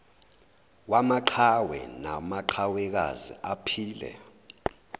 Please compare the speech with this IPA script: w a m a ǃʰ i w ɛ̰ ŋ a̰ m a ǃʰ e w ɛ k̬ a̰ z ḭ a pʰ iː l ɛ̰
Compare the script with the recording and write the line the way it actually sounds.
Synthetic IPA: w a m a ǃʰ a w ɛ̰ n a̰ m a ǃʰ a w ɛ k̬ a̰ z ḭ a pʰ iː l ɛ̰